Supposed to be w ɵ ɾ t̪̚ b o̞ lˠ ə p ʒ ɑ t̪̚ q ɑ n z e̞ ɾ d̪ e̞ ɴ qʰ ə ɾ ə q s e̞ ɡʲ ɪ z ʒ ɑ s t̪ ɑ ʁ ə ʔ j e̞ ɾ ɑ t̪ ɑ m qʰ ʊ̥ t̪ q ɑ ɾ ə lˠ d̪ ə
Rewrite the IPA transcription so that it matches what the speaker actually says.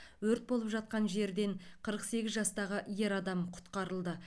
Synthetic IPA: w ɵ ɾ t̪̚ b o̞ lˠ ə p ʒ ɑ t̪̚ q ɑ n ʒ e̞ ɾ d̪ e̞ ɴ qʰ ə ɾ ə q s e̞ ɡʲ ɪ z ʒ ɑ s t̪ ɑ ʁ ə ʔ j e̞ ɾ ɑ d̪ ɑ m qʰ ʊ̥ t̪ q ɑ ɾ ə lˠ d̪ ə